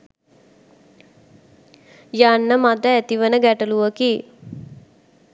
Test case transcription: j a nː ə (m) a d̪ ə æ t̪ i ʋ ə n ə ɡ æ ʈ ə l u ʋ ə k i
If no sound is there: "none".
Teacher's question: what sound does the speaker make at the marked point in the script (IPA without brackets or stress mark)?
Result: m